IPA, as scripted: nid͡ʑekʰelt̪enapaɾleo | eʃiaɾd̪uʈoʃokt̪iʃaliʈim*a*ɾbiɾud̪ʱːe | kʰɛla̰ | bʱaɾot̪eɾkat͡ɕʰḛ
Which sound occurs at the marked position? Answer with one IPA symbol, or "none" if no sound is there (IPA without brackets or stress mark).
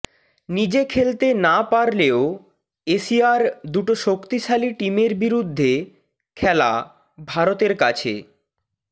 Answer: e